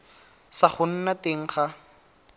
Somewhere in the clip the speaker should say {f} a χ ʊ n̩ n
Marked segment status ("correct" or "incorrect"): incorrect